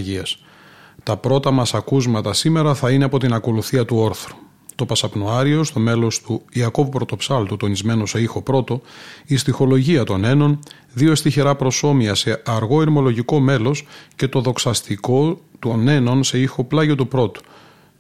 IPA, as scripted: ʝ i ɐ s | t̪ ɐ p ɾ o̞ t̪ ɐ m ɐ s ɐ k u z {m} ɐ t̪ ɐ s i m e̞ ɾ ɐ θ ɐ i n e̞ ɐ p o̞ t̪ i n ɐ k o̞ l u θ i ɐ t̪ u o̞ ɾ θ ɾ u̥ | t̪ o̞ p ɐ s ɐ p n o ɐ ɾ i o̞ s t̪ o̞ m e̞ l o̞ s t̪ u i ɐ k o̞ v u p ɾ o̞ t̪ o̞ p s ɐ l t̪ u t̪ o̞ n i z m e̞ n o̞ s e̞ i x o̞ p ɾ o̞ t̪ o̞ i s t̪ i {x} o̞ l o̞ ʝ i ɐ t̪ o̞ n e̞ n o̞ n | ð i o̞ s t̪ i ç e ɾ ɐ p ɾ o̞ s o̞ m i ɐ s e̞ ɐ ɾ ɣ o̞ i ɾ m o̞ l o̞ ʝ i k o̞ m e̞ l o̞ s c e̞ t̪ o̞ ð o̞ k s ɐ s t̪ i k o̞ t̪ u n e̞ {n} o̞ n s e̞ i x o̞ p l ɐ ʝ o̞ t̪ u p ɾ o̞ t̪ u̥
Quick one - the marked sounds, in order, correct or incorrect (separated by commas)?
correct, correct, correct